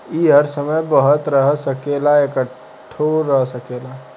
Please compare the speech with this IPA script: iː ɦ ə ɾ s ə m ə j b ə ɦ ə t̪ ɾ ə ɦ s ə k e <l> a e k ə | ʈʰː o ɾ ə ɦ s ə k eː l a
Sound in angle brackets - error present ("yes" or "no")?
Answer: no